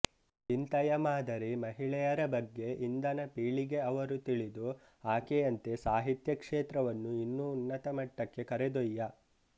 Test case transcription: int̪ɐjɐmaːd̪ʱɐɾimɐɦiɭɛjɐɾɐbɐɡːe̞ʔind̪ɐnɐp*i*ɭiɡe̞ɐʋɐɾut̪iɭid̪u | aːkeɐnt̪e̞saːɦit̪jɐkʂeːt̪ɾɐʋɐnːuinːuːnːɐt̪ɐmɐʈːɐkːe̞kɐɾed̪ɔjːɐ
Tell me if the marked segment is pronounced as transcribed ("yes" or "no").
no